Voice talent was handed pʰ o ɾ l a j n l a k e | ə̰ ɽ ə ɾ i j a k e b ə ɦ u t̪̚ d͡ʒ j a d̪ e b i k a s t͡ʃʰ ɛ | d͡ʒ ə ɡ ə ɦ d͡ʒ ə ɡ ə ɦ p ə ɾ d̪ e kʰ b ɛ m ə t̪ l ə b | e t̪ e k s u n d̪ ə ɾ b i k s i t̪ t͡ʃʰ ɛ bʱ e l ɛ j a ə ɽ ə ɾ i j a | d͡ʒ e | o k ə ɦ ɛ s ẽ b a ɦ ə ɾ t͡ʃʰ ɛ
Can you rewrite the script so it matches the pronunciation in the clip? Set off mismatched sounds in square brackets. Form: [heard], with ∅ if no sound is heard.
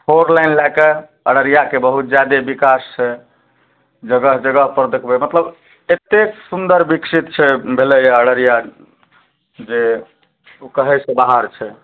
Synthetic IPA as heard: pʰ o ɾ l a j n l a k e | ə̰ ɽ ə ɾ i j a k e b ə ɦ u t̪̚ d͡ʒ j a d̪ e b i k a s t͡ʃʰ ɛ | d͡ʒ ə ɡ ə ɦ d͡ʒ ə ɡ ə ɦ p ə ɾ d̪ e kʰ b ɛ m ə t̪ l ə b | e t̪ e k s u n d̪ ə ɾ b i k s i t̪ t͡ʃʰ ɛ bʱ e l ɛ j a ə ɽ ə ɾ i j a | d͡ʒ e | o k ə ɦ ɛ s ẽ b a ɦ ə ɾ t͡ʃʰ ɛ